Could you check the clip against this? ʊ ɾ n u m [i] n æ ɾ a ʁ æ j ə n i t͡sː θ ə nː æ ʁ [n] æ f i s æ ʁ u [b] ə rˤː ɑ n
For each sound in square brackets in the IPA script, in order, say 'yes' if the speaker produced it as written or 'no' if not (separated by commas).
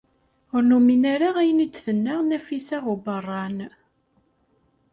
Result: yes, yes, yes